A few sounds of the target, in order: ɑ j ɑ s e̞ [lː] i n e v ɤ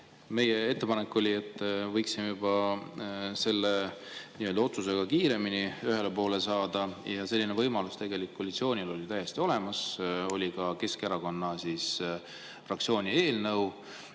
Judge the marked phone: correct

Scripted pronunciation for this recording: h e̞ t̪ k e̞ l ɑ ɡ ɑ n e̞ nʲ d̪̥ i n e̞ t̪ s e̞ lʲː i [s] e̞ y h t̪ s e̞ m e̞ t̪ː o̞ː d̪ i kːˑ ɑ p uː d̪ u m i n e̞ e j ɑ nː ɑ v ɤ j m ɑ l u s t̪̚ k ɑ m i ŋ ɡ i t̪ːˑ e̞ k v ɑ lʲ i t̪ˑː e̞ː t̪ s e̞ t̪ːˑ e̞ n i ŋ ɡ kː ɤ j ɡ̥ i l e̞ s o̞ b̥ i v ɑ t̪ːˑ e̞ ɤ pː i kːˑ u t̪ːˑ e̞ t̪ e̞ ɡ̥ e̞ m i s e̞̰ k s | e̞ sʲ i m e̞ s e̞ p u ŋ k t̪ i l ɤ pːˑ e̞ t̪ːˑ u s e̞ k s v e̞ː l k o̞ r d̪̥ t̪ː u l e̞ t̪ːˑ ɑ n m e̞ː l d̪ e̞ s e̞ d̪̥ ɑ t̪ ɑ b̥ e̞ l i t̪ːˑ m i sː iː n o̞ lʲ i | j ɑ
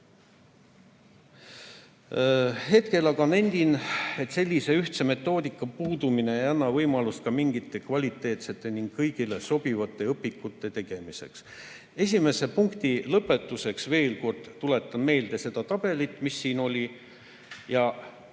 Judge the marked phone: correct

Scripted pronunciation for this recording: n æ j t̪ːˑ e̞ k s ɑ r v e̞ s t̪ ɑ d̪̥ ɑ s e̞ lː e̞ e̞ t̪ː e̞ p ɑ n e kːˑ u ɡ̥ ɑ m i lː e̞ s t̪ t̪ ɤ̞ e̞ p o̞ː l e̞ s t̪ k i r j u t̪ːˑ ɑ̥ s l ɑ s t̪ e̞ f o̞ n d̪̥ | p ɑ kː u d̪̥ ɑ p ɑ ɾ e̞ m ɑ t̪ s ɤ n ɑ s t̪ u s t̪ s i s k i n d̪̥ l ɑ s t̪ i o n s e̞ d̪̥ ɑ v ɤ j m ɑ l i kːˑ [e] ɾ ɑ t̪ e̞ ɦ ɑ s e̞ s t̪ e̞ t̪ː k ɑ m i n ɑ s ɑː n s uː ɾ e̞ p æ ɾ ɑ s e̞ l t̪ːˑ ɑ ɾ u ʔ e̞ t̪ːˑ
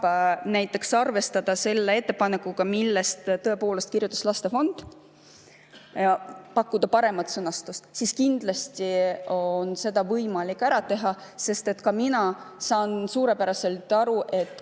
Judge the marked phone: incorrect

